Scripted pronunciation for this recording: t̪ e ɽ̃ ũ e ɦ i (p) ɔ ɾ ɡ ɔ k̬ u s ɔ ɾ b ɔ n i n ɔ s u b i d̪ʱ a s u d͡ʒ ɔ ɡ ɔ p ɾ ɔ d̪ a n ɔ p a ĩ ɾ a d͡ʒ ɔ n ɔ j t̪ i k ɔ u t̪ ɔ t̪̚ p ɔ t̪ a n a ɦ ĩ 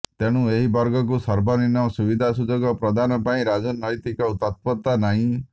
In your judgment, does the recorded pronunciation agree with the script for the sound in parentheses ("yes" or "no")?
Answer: no